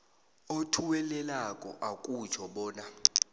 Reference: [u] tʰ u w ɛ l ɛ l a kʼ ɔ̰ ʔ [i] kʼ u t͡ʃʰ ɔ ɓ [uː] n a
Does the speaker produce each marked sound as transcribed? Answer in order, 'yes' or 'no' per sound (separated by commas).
no, no, no